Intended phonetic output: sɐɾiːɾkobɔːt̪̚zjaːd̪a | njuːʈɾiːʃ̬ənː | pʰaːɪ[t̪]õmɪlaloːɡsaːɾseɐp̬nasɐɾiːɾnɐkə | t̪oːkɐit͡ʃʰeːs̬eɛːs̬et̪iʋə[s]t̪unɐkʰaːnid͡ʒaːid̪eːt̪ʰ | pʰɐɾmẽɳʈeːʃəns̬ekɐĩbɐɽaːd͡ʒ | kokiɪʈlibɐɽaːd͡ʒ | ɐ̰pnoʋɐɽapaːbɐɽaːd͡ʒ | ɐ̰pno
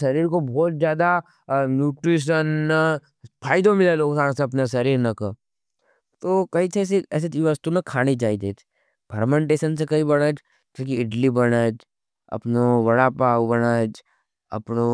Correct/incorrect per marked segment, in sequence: incorrect, correct

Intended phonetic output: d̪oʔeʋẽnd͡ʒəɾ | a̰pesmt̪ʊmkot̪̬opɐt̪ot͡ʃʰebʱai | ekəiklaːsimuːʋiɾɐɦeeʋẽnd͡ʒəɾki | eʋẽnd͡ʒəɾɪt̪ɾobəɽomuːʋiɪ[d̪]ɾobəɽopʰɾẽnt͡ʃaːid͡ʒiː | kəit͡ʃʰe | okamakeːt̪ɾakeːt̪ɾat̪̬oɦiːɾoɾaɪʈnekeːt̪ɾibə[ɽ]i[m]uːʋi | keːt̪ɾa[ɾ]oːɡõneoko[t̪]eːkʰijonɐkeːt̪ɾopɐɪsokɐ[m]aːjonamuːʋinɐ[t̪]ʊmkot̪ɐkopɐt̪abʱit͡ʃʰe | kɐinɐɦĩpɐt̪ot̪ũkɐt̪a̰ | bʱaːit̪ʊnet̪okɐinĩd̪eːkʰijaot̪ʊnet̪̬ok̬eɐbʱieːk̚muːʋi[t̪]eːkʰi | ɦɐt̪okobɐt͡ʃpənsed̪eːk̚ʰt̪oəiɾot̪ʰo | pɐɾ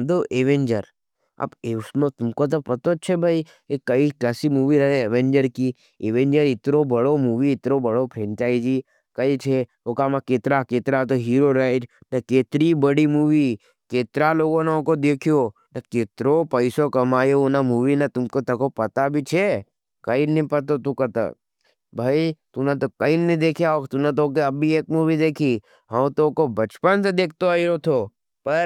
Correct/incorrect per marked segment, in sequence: incorrect, correct, correct, incorrect, incorrect, correct, correct, incorrect

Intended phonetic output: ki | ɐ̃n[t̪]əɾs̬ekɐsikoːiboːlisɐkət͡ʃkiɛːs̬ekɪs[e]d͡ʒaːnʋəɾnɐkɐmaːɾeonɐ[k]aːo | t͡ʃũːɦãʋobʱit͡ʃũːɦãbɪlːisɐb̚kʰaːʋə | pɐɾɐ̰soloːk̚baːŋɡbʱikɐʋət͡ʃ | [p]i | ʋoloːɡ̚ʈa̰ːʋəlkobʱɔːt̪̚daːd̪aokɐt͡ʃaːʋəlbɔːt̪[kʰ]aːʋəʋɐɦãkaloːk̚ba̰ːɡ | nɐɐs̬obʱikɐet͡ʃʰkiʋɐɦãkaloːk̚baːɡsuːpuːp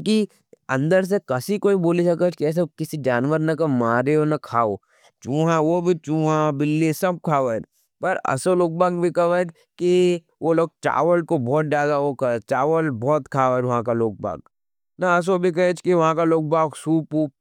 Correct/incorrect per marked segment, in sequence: incorrect, incorrect, incorrect, incorrect, correct

